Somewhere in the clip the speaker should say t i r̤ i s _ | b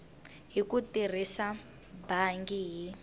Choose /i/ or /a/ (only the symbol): a